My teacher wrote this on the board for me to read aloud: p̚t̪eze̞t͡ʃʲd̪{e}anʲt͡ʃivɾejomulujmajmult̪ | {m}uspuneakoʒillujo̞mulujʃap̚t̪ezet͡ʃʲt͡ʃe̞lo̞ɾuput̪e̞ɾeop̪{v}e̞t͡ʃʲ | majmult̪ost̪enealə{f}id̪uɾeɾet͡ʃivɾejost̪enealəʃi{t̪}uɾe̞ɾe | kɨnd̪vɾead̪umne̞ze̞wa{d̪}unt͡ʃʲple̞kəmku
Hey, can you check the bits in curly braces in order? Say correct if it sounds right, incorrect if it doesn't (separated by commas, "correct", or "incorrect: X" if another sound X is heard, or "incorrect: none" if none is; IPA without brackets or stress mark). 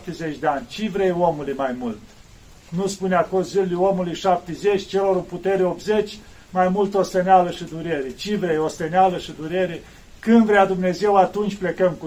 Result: correct, incorrect: n, incorrect: z, incorrect: ʃ, incorrect: d̪, incorrect: t̪